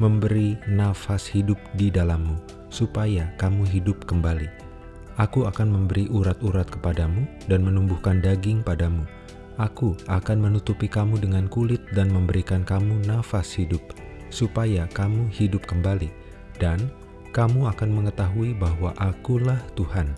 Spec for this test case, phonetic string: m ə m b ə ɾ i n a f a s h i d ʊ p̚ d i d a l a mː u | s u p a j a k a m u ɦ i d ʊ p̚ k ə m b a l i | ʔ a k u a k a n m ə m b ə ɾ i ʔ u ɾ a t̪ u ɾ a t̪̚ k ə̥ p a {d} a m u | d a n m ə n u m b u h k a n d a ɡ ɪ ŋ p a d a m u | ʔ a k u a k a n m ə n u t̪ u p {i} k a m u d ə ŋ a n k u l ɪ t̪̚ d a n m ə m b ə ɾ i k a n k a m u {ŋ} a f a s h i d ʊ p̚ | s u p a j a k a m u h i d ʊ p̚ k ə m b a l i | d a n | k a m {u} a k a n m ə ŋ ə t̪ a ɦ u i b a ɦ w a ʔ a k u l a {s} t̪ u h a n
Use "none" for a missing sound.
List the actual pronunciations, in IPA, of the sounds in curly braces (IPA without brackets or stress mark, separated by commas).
d, i, n, u, h